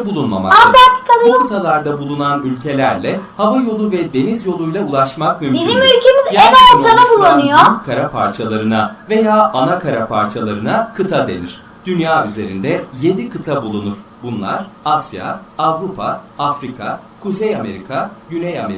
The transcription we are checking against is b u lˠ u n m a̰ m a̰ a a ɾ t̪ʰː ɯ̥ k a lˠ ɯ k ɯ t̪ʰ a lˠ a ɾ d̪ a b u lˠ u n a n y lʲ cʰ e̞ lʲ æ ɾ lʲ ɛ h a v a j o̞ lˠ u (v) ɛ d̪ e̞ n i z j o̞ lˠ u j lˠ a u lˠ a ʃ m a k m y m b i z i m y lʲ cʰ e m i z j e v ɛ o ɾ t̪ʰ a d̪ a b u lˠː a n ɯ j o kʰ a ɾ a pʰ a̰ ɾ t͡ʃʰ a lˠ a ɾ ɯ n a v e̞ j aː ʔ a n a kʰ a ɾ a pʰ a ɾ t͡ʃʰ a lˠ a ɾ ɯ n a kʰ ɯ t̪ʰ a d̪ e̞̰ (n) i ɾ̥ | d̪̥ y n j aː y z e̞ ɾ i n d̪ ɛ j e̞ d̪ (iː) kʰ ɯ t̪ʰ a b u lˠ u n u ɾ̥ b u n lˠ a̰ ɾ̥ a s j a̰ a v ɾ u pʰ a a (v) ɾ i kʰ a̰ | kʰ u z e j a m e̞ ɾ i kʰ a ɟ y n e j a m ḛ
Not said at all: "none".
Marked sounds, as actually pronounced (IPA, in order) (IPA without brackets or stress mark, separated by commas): v, n, i, f